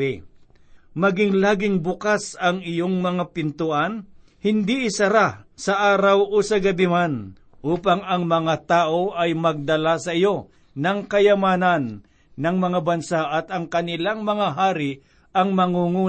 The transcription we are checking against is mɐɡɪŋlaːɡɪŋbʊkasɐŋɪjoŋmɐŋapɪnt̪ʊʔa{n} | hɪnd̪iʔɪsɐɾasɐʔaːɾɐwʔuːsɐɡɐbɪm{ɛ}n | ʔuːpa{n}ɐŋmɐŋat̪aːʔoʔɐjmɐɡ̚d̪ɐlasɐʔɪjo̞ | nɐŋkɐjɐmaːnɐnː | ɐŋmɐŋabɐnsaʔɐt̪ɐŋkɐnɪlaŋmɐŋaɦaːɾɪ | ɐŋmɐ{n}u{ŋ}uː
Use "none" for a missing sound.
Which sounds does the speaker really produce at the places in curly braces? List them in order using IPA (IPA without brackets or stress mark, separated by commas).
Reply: n, a, ŋ, ŋ, ŋ